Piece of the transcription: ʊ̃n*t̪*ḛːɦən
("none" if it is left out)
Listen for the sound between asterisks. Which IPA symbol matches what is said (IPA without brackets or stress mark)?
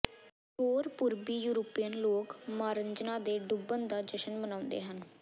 d̪